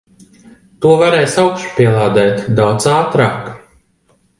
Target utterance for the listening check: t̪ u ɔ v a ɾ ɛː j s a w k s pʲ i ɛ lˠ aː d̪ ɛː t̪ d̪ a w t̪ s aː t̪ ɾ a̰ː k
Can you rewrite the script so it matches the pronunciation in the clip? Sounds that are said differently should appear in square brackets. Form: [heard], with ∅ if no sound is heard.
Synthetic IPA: t̪ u ɔ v a ɾ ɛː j s a w k [ʃ] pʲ i ɛ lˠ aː d̪ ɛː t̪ d̪ a w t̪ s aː t̪ ɾ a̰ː k